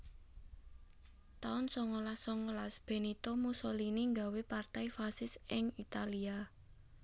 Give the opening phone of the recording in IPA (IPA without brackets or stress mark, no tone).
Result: t̪